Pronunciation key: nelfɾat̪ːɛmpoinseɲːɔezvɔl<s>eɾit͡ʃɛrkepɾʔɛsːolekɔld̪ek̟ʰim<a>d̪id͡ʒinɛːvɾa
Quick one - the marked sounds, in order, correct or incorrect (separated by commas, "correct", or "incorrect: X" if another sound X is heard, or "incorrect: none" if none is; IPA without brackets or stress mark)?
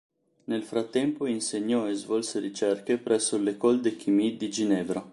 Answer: correct, incorrect: i